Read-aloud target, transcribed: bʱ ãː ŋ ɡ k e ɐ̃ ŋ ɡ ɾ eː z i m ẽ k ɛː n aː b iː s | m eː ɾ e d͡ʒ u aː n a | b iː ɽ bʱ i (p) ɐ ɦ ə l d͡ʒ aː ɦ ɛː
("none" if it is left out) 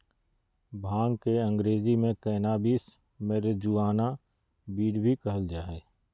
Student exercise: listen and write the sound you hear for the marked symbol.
k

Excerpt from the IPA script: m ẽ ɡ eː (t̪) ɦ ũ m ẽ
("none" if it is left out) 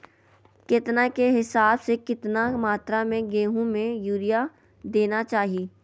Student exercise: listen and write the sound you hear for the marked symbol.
none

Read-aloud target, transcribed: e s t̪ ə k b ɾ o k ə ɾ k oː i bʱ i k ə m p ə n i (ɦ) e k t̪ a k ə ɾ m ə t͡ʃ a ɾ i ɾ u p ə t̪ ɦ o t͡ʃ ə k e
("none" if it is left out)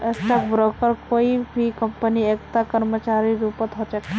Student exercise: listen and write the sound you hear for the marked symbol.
none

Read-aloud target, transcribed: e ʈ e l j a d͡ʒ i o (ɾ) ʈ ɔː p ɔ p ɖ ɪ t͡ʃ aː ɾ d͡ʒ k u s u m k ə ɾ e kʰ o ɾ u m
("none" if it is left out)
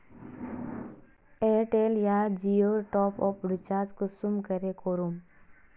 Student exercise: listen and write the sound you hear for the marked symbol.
ɾ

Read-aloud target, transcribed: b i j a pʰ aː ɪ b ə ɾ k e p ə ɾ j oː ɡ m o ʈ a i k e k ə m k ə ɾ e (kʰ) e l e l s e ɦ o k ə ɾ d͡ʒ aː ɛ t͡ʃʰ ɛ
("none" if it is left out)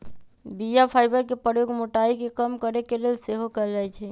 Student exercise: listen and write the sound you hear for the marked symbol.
k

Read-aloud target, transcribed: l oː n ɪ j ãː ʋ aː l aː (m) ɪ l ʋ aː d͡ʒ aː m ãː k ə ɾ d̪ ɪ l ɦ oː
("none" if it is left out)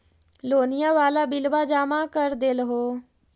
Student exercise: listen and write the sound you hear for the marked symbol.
b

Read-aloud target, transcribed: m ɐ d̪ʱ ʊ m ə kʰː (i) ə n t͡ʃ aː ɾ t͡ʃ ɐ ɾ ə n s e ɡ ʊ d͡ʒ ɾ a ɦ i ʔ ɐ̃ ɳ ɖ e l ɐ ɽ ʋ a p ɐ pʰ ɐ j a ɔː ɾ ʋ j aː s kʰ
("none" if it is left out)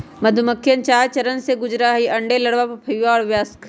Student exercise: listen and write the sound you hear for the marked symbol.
j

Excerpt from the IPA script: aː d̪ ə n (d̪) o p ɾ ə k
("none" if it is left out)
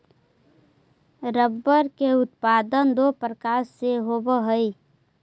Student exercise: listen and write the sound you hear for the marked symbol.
d̪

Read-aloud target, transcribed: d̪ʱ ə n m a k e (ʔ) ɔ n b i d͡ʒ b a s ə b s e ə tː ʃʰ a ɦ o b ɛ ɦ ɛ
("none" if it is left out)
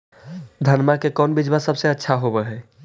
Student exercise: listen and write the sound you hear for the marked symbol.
k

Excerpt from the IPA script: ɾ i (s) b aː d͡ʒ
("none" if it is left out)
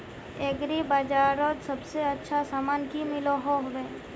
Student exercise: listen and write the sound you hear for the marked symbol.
none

